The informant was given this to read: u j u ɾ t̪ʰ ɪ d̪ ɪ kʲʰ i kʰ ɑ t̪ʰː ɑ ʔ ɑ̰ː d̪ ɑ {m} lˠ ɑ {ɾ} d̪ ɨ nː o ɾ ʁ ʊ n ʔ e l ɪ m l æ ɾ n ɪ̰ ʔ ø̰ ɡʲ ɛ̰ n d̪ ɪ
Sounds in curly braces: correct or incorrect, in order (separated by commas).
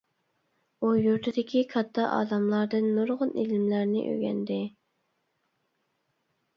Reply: correct, correct